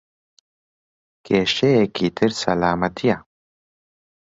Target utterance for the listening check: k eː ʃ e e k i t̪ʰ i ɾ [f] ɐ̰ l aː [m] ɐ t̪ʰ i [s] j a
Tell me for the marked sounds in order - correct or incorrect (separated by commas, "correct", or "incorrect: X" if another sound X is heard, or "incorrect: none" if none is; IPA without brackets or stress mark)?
incorrect: s, correct, incorrect: none